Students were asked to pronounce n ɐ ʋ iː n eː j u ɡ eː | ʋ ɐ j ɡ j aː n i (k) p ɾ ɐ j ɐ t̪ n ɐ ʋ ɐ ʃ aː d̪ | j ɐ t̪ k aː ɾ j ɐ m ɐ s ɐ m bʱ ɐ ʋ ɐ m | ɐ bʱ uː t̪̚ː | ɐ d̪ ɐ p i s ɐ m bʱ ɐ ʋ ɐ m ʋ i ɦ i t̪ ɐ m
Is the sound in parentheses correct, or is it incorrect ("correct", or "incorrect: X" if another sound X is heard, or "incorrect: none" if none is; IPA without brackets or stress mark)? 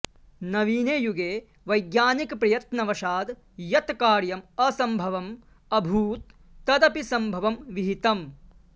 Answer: correct